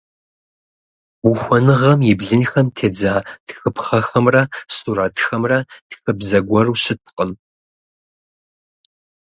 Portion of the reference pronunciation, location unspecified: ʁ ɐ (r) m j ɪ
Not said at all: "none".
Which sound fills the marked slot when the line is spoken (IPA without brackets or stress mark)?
none